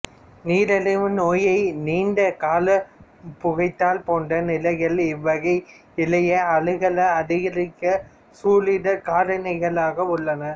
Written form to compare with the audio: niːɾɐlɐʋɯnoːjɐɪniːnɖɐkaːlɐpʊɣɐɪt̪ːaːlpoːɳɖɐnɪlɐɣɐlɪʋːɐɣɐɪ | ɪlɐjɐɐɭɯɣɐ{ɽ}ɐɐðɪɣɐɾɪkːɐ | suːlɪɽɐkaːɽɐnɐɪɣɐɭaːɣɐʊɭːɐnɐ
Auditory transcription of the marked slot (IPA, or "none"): ɭ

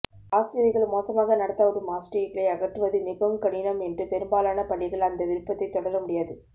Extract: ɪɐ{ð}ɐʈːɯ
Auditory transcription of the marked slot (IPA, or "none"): ɣ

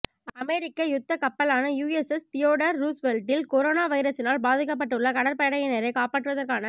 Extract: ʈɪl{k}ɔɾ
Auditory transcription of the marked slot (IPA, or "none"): k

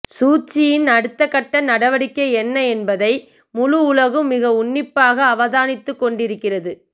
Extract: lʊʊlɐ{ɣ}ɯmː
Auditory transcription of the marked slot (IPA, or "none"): ɣ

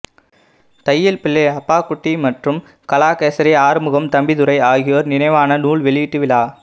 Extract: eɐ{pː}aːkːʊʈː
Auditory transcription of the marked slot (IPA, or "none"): pː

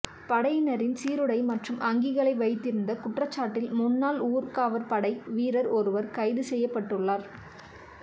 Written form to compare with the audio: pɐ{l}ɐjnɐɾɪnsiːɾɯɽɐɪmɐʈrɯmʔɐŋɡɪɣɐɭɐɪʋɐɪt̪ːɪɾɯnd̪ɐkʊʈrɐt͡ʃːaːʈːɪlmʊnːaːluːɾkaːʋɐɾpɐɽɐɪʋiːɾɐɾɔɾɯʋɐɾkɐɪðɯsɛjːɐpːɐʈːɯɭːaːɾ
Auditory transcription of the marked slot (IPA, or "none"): ɽ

